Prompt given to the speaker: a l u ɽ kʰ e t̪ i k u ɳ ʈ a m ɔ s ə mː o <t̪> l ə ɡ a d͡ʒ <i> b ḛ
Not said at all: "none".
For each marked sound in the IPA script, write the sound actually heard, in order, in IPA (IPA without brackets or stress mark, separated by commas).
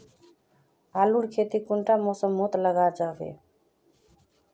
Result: t̪, a